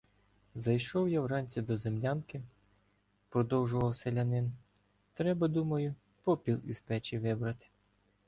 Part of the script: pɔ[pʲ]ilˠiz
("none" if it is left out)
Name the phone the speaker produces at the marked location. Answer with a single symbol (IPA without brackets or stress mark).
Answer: pʲ